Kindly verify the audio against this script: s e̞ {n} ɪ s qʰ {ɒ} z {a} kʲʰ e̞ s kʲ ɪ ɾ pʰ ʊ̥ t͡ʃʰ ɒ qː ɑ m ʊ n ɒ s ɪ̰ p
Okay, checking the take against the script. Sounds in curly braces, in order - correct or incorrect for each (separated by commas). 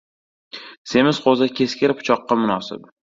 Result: incorrect, incorrect, correct